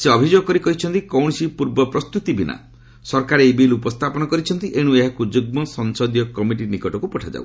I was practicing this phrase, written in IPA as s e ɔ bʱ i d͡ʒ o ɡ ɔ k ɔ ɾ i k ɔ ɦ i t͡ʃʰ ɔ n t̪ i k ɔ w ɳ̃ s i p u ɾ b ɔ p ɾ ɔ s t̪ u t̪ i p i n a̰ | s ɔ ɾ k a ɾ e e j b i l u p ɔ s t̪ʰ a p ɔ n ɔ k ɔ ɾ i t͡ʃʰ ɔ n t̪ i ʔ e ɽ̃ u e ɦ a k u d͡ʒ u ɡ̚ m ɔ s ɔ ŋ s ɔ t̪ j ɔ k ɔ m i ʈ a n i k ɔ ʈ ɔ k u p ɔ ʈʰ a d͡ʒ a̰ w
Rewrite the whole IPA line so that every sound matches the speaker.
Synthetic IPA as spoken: s e ɔ bʱ i d͡ʒ o ɡ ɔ k ɔ ɾ i k ɔ ɦ i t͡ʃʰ ɔ n t̪ i k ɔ w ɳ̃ s i p u ɾ b ɔ p ɾ ɔ s t̪ u t̪ i b i n a̰ | s ɔ ɾ k a ɾ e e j b i l u p ɔ s t̪ʰ a p ɔ n ɔ k ɔ ɾ i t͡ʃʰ ɔ n t̪ i ʔ e ɽ̃ u e ɦ a k u d͡ʒ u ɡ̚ m ɔ s ɔ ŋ s ɔ d̪ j ɔ k ɔ m i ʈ i n i k ɔ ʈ ɔ k u p ɔ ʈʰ a d͡ʒ a̰ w